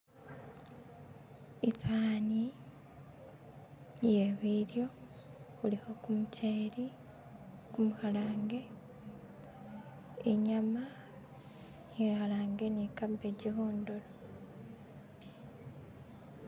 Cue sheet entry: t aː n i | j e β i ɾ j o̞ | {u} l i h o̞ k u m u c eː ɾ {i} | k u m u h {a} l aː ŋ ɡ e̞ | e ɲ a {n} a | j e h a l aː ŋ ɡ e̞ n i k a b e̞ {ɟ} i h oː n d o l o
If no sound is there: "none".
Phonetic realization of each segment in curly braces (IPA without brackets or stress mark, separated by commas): u, i, a, m, ɟ